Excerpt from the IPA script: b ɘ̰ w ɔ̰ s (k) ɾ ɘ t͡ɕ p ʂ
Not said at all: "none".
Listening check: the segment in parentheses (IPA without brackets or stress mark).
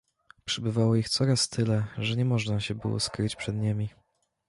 k